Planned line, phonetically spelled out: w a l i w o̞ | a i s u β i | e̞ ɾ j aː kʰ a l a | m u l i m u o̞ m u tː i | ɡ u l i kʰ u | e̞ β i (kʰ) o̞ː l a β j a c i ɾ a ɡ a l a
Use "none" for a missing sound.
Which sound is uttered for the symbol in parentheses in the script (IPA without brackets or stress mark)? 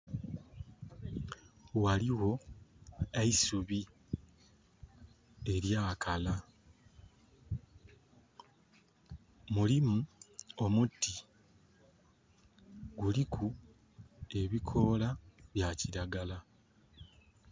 kʰ